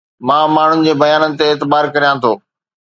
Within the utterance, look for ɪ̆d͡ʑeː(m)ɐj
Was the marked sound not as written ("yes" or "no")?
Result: yes